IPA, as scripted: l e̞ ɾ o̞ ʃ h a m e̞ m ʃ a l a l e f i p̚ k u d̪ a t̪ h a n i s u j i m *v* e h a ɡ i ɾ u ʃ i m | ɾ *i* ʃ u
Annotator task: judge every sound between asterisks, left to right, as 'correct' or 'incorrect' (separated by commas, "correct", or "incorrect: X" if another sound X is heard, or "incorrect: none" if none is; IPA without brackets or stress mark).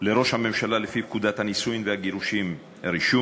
correct, correct